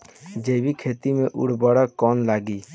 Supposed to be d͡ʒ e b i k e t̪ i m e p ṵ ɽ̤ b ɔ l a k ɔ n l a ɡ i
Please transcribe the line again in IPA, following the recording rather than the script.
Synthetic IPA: d͡ʒ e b i kʰ e t̪ i m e ʔ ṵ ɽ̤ b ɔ ɽ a k ɔ n l a ɡ i